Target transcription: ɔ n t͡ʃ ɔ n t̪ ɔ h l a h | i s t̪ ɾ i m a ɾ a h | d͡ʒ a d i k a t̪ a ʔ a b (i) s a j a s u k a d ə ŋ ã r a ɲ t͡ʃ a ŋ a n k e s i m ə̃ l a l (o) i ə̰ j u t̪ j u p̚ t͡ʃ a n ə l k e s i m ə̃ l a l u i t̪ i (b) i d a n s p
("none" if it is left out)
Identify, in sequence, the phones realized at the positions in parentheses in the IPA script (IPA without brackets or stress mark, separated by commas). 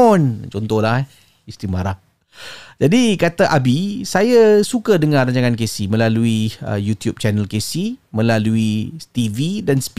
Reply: i, u, v